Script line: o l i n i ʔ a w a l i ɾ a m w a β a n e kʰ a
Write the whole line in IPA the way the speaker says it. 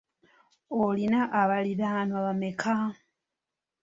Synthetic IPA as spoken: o l i n a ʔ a β a l i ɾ a n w a β a m e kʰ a

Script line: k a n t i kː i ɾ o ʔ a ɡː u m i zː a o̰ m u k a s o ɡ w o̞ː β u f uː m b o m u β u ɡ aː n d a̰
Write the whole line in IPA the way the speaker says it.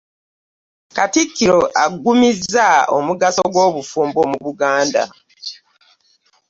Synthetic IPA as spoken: k a t i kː i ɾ o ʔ a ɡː u m i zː a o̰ m u ɡ a s o ɡ w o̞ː β u f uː m b o m u β u ɡ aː n d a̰

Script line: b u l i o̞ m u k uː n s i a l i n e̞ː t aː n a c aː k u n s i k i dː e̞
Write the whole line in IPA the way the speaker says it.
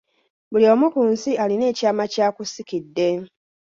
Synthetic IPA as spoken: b u l i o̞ m u k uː n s i a l i n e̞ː c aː m a c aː k u s i k i dː e̞

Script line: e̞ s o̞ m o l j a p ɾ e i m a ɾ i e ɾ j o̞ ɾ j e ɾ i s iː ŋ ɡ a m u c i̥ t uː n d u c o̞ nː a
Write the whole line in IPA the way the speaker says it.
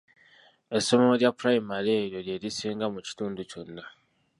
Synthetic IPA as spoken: e̞ s o̞ m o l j a p ɾ a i m a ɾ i e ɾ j o̞ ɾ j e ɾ i s iː ŋ ɡ a m u c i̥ t uː n d u c o̞ nː a

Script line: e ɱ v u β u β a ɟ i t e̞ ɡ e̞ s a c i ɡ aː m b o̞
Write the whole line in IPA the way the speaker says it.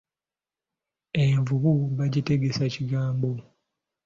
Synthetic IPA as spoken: e ɱ v u β u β a ɟ i t e̞ ɡ e̞ s a c i ɡ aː m b o̞

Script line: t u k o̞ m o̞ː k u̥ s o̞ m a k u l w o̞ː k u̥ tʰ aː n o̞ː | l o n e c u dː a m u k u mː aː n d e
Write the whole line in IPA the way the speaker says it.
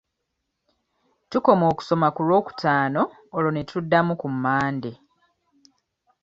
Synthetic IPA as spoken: t u k o̞ m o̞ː k u̥ s o̞ m a k u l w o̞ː k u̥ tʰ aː n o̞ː | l o n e t u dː a m u k u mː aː n d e

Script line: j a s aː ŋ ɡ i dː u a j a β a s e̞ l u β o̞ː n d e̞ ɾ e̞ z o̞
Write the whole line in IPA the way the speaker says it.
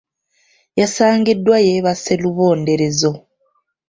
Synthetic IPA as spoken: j a s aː ŋ ɡ i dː w a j e β a s e̞ l u β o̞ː n d e̞ ɾ e̞ z o̞

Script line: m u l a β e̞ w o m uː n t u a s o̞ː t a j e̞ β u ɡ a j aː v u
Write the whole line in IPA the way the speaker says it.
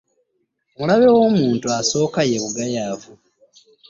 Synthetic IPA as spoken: m u l a β e̞ w o m uː n t u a s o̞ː k a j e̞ β u ɡ a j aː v u

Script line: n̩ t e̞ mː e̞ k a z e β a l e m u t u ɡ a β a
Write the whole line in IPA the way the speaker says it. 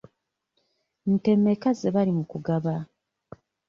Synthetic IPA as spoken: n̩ t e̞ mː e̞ k a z e β a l i m u k u ɡ a β a

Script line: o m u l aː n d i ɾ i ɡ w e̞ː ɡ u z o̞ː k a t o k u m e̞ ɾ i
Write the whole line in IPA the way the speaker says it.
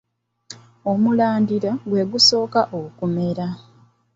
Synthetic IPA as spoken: o m u l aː n d i ɾ a ɡ w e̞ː ɡ u s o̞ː k a ʔ o k u m e̞ ɾ a

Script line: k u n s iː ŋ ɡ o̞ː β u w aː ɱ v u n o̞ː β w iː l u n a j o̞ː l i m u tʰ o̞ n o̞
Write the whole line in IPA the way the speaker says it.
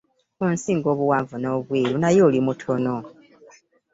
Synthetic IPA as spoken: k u n s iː ŋ ɡ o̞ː β u w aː ɱ v u n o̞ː β w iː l u n a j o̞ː l i m u tʰ o̞ n o̞

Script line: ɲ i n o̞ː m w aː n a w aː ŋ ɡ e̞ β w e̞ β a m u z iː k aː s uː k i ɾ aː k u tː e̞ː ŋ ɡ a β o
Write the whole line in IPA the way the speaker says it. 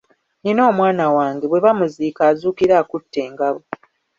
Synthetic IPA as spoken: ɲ i n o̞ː m w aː n a w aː ŋ ɡ e̞ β w e̞ β a m u z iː k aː z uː k i ɾ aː k u tː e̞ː ŋ ɡ a β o

